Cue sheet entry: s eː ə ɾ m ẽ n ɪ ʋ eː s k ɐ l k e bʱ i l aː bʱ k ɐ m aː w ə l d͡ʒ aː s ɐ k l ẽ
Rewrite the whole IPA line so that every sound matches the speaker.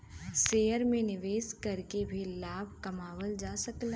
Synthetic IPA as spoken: s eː ə ɾ m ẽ n ɪ ʋ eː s k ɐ ɾ k e bʱ i l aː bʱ k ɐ m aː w ə l d͡ʒ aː s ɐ k l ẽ